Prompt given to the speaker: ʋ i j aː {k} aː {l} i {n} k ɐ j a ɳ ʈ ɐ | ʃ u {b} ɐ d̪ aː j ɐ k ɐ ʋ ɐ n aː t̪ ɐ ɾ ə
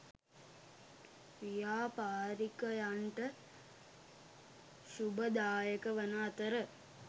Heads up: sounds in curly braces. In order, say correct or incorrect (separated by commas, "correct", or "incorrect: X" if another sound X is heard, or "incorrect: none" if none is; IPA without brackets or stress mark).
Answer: incorrect: p, incorrect: ɾ, incorrect: none, correct